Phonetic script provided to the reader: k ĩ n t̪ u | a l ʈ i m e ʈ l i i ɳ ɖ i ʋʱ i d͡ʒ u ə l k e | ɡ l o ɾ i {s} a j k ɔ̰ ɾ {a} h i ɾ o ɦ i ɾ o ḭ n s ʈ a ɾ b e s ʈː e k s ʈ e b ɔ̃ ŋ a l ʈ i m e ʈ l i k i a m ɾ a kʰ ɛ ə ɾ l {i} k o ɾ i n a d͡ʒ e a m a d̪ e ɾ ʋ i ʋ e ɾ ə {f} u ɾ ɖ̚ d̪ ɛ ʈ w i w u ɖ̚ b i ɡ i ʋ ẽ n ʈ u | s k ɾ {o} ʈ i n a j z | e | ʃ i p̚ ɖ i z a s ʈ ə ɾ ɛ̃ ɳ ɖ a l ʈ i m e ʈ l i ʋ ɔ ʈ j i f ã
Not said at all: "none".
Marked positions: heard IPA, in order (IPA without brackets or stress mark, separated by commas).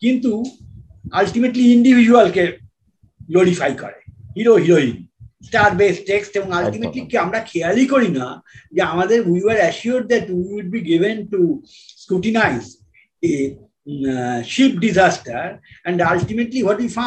f, e, i, ʃ, u